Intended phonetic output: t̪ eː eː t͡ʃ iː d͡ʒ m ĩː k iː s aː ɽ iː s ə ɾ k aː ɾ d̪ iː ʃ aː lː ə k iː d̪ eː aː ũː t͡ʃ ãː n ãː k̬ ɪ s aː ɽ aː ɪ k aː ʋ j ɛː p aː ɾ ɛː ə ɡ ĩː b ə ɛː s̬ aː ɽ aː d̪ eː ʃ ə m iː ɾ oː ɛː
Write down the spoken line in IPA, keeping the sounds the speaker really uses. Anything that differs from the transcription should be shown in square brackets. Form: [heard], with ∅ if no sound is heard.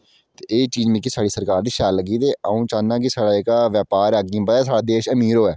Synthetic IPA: t̪ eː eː t͡ʃ iː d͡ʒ m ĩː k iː s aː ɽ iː s ə ɾ k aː ɾ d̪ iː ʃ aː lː ə [ɡ] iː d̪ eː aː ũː t͡ʃ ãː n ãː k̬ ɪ s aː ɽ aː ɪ k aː ʋ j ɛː p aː ɾ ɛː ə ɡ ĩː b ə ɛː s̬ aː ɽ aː d̪ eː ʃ ə m iː ɾ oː ɛː